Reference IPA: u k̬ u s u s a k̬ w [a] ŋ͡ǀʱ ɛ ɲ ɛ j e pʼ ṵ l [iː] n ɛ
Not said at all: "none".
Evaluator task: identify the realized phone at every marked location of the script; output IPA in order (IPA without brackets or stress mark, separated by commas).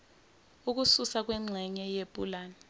ɛ, aː